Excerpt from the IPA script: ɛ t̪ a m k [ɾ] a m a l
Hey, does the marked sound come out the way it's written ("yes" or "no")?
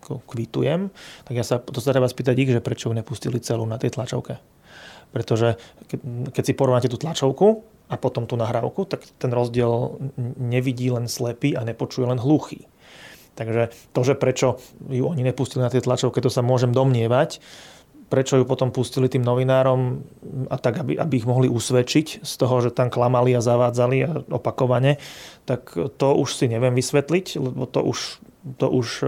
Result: no